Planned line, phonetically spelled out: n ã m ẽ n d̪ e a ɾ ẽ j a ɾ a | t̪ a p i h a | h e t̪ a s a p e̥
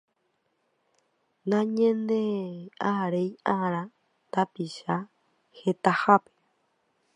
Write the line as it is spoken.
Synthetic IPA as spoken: n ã ɲ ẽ n d̪ e a ɾ e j a ɾ a | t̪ a p i ʃ a | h e t̪ a h a p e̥